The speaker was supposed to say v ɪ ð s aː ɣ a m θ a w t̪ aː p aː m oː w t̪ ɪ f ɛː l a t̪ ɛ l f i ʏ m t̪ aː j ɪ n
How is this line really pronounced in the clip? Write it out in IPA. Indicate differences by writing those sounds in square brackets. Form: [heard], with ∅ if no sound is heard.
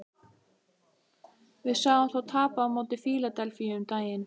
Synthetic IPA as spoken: v ɪ ð s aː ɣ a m θ a w [t̪ʰ] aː p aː m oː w t̪ ɪ f [iː] l a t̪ ɛ l f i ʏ m t̪ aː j ɪ n